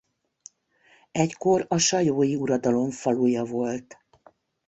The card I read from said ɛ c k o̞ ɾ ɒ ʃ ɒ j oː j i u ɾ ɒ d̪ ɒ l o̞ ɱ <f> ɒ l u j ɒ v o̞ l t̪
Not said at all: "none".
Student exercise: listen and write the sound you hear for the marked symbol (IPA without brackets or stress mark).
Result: f